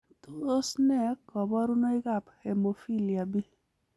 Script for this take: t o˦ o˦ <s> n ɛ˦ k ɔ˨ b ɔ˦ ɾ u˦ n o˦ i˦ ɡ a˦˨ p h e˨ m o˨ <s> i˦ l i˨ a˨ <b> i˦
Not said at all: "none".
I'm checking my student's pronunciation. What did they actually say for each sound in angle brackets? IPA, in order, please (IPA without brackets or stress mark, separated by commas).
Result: s, f, b